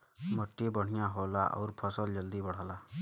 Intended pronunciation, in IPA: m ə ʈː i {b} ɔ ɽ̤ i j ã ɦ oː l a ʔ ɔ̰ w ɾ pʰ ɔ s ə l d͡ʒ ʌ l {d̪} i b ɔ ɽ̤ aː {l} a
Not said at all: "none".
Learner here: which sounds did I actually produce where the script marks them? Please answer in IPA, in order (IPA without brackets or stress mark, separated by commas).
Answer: b, d̪, l